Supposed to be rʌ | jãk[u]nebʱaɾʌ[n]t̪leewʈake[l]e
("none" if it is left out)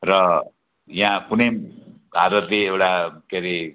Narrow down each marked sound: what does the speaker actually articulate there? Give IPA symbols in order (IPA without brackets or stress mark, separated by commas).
u, none, ɾ